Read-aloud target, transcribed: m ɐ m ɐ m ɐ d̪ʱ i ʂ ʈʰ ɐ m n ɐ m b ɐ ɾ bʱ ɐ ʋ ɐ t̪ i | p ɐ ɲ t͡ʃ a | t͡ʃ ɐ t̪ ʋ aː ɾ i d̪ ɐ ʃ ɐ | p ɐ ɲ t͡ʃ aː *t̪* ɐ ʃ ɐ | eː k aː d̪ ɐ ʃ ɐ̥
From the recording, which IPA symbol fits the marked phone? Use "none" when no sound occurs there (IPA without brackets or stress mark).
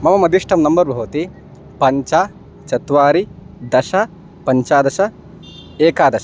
d̪